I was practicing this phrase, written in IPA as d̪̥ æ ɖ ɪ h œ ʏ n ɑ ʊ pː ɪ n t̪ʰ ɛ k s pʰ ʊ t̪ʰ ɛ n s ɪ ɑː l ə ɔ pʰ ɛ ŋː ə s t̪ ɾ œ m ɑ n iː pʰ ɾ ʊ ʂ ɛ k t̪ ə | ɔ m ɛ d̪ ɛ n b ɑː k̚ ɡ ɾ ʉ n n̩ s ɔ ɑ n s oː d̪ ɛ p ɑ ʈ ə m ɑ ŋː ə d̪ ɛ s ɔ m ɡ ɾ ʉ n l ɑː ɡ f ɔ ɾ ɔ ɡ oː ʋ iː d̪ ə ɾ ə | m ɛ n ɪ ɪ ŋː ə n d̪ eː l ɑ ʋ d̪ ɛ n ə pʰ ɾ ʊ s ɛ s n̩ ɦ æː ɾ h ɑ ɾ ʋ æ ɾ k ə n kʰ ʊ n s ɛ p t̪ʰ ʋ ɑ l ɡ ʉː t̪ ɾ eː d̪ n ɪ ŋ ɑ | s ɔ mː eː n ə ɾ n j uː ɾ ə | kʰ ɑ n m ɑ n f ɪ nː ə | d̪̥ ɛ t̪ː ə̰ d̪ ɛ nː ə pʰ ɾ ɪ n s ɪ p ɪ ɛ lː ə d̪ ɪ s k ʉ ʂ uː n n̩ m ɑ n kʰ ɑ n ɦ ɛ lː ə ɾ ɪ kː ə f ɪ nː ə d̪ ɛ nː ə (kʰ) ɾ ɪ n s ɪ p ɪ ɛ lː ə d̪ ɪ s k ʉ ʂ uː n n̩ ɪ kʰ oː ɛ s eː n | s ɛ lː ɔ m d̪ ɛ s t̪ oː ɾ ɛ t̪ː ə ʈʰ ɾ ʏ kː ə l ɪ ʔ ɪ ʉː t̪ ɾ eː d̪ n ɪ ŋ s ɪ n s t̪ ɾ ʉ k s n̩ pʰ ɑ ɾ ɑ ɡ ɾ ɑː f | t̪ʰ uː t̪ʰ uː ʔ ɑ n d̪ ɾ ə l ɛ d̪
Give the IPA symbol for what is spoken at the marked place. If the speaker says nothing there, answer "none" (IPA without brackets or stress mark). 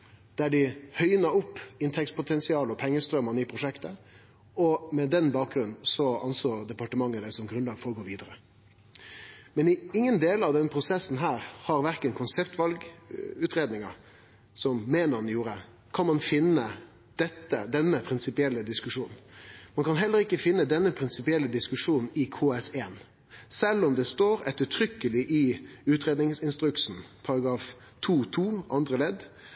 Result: pʰ